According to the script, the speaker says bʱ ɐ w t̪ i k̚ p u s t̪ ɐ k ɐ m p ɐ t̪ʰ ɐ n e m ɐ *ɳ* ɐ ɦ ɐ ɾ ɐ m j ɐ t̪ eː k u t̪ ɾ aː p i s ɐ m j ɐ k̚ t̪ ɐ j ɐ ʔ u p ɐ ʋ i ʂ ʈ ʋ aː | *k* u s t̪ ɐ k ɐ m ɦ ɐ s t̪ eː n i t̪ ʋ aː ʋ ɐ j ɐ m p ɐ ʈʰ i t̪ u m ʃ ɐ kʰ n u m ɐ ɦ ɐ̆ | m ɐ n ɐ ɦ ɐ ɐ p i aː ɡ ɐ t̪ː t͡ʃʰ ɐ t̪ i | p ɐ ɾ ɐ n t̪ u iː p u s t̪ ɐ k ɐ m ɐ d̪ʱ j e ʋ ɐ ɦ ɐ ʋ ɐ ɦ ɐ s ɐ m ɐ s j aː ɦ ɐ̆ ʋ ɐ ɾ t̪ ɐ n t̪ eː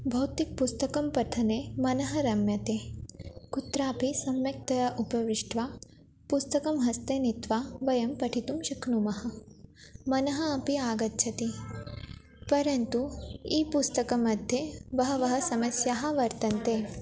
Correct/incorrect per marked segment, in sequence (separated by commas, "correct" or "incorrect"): incorrect, incorrect